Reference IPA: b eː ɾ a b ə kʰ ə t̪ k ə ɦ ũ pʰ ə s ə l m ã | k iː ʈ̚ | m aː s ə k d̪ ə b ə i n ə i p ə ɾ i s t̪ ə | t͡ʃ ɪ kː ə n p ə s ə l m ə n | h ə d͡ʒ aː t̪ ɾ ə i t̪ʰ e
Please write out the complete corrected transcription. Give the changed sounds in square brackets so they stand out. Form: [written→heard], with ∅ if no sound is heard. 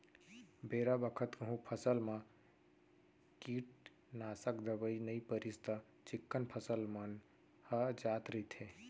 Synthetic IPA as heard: b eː ɾ a b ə kʰ ə t̪ k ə ɦ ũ pʰ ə s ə l m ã | k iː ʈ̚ | [m→n] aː s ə k d̪ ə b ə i n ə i p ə ɾ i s t̪ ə | t͡ʃ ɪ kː ə n [p→pʰ] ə s ə l m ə n | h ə d͡ʒ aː t̪ ɾ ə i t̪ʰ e